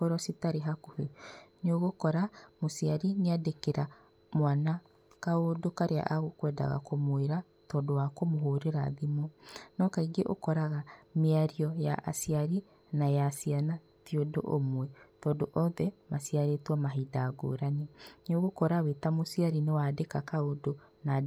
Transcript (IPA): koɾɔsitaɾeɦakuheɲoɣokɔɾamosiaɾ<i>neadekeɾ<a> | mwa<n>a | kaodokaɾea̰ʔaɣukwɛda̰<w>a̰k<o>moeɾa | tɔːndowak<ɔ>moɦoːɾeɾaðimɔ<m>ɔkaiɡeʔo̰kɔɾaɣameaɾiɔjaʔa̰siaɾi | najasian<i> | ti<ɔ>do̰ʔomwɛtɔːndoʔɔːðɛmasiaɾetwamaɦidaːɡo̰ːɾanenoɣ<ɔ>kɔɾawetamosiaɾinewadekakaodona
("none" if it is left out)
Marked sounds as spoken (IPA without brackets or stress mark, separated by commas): i, a, n, ɣ, o, o, n, a, o, o